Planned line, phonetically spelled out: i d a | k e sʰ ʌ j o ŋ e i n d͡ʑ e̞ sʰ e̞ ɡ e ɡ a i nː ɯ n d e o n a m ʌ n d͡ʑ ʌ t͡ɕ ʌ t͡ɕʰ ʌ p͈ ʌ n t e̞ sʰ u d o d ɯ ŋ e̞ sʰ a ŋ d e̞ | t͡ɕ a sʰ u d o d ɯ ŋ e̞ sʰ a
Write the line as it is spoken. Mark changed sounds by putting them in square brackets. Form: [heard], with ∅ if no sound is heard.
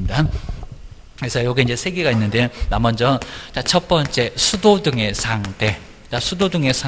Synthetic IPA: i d a | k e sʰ ʌ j o [ɡ] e i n d͡ʑ e̞ sʰ e̞ ɡ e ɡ a i nː ɯ n d e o n a m ʌ n d͡ʑ ʌ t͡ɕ [a] t͡ɕʰ ʌ p͈ ʌ n [t͡ɕ͈] e̞ sʰ u d o d ɯ ŋ e̞ sʰ a ŋ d e̞ | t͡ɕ a sʰ u d o d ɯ ŋ e̞ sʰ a